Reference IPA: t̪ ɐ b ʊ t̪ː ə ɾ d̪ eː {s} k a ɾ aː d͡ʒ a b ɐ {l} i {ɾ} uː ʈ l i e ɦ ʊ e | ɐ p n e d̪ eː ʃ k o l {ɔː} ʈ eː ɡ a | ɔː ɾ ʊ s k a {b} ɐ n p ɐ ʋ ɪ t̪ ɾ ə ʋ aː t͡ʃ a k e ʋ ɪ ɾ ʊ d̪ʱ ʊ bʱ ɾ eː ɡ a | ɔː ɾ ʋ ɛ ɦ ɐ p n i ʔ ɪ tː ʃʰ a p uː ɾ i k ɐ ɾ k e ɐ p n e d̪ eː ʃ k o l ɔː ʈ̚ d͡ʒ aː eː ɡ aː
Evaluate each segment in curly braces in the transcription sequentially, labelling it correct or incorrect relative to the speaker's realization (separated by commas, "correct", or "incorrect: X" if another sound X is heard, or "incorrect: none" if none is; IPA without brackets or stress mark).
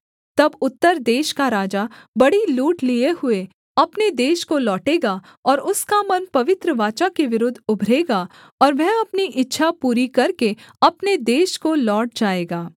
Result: incorrect: ʃ, incorrect: ɽ, incorrect: l, correct, incorrect: m